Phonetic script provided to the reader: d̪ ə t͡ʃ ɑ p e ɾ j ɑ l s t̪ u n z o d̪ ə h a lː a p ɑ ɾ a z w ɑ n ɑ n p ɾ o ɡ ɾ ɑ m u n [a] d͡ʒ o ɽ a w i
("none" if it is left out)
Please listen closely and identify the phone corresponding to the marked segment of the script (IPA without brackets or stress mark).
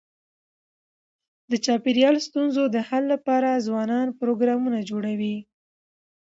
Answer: a